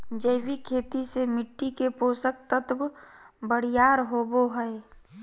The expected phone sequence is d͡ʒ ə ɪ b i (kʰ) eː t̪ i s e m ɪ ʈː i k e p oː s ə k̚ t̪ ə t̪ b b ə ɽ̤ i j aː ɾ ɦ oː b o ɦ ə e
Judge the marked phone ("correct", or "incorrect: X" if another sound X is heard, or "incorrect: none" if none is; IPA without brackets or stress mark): correct